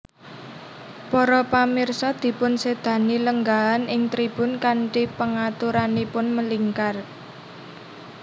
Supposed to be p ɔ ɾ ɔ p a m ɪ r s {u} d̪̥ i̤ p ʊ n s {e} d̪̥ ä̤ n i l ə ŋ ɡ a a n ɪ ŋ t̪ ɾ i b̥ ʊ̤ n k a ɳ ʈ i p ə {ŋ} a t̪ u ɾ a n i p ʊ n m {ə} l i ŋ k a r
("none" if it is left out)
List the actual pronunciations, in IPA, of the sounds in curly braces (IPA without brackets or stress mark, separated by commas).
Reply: ɔ, e, ŋ, ə